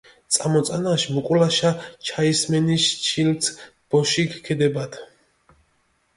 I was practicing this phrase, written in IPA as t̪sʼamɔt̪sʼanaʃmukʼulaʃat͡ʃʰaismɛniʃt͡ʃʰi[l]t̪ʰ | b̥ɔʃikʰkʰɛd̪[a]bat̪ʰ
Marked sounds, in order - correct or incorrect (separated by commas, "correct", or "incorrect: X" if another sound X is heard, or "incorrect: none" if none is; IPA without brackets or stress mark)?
correct, incorrect: ɛ